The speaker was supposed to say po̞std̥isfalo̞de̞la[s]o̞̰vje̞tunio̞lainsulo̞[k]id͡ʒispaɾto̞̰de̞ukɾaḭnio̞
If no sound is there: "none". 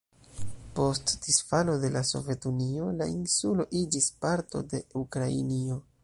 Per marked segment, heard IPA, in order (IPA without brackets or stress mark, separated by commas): s, ʔ